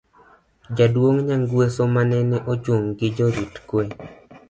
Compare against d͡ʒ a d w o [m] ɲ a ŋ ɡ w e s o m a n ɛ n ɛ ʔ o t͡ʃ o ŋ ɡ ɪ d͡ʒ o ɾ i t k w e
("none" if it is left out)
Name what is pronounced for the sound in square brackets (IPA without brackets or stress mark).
ŋ